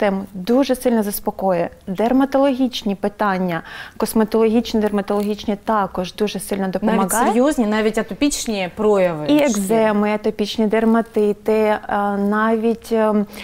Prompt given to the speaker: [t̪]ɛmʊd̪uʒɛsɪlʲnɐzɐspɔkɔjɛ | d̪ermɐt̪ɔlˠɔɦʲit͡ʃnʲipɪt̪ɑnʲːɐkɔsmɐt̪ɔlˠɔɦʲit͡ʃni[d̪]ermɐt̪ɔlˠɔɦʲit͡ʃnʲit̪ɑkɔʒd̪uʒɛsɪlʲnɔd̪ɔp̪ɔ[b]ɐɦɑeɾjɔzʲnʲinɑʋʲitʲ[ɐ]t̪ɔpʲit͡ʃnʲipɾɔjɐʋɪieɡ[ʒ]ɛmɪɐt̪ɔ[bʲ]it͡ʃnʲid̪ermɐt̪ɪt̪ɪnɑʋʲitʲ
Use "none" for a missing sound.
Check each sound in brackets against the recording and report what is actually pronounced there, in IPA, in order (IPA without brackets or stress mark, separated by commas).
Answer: t̪, d̪, m, ɐ, z, pʲ